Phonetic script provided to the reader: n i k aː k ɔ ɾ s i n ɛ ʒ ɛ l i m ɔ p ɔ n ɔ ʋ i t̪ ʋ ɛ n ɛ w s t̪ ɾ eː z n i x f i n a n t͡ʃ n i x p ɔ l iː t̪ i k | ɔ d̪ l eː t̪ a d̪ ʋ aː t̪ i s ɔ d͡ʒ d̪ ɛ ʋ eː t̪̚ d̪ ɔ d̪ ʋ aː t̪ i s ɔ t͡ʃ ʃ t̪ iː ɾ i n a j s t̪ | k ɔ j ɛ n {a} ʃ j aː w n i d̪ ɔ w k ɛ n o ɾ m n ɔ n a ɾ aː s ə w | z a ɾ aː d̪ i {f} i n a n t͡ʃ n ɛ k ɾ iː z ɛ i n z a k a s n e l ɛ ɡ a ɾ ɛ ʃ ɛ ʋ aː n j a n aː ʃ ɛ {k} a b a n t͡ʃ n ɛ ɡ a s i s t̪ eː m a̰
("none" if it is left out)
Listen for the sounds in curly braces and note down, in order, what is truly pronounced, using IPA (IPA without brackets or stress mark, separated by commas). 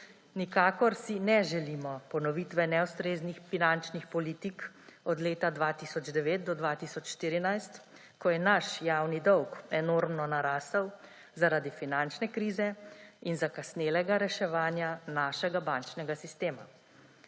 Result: a, f, ɡ